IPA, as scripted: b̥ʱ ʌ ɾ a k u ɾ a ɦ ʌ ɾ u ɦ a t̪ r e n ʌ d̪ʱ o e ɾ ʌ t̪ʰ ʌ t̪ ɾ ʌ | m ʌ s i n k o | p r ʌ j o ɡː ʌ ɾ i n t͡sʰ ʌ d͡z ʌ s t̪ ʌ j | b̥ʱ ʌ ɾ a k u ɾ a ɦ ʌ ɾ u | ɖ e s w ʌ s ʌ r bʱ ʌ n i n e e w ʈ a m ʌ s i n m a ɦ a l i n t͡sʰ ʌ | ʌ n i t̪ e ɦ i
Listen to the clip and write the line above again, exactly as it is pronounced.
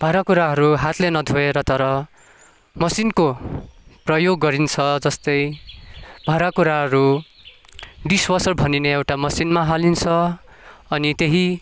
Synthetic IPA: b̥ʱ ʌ ɾ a k u ɾ a ɦ ʌ ɾ u ɦ a t̪ l e n ʌ d̪ʱ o e ɾ ʌ t̪ ʌ ɾ ʌ | m ʌ s i n k o | p r ʌ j o ɡː ʌ ɾ i n t͡sʰ ʌ d͡z ʌ s t̪ ʌ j | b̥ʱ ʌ ɾ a k u ɾ a ɦ ʌ ɾ u | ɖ i s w ʌ s ʌ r bʱ ʌ n i n e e w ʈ a m ʌ s i n m a ɦ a l i n t͡sʰ ʌ | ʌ n i t̪ e ɦ i